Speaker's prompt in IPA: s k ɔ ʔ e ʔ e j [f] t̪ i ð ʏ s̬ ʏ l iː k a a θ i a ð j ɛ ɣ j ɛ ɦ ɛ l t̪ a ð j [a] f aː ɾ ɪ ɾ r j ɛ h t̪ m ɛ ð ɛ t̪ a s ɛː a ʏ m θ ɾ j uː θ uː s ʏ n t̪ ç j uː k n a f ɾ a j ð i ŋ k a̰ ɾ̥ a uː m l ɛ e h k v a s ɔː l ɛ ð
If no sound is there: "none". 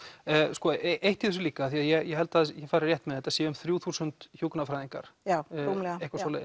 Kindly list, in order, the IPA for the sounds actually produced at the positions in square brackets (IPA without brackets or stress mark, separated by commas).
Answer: h, ɛ